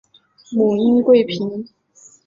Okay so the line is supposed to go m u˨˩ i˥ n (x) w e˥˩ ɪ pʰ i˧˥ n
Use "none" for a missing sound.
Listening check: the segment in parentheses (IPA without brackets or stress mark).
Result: k